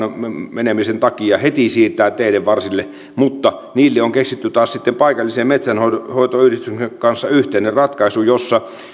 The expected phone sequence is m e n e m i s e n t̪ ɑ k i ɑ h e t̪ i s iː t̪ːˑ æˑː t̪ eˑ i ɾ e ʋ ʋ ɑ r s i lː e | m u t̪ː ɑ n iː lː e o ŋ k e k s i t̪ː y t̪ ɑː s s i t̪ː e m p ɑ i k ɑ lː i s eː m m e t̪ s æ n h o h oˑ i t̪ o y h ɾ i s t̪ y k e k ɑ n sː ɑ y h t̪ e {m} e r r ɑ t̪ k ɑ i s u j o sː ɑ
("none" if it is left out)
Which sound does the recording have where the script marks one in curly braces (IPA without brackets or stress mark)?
n